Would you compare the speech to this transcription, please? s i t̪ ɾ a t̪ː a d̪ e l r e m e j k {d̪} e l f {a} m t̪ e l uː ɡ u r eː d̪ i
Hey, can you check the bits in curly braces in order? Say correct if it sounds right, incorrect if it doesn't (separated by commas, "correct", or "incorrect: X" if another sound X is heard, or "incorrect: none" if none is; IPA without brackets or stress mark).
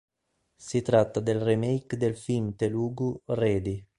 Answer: correct, incorrect: i